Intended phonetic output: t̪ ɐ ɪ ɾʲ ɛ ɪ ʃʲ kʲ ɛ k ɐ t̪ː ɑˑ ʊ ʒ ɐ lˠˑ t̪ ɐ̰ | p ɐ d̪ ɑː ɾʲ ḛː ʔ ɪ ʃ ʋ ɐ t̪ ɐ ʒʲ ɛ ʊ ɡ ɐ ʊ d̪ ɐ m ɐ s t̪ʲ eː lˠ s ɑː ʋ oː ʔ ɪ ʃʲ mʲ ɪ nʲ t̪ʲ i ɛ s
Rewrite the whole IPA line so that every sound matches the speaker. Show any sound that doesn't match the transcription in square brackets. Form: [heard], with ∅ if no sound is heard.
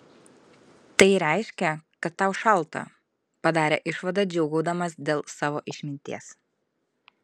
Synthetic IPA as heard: t̪ ɐ ɪ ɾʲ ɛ ɪ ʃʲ kʲ ɛ k ɐ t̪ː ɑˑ ʊ [ʃ] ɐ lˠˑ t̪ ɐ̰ | p ɐ d̪ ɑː ɾʲ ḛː ʔ ɪ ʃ ʋ ɐ [d̪] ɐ [d͡ʒʲ] ɛ ʊ ɡ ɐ ʊ d̪ ɐ m ɐ s [d̪ʲ] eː lˠ s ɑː ʋ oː ʔ ɪ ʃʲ mʲ ɪ nʲ t̪ʲ i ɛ s